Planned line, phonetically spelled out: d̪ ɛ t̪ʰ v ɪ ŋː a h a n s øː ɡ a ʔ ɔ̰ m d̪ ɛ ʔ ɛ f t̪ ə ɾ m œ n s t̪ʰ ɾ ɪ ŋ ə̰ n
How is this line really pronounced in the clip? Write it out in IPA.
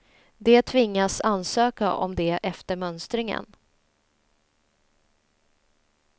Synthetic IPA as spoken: d̪ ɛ t̪ʰ v ɪ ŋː a s a n s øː k a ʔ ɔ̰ m d̪ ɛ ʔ ɛ f t̪ ə ɾ m œ n s t̪ ɾ ɪ ŋ ə̰ n